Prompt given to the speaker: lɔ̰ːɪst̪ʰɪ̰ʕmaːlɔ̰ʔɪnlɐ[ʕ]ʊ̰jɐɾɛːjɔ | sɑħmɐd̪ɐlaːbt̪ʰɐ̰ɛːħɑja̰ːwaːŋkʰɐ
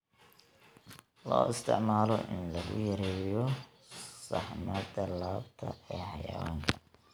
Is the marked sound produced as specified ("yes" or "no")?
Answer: no